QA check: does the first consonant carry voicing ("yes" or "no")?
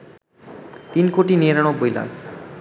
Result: no